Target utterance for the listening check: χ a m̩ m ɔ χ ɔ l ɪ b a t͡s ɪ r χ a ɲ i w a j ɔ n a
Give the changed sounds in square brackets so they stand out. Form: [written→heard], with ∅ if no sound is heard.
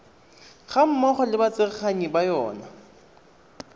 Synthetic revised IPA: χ a m̩ m ɔ χ ɔ l ɪ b a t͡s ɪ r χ a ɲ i [w→b] a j [ɔ→ɔː] n a